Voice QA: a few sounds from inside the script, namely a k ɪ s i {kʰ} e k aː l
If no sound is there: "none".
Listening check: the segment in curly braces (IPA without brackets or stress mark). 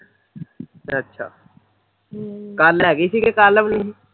k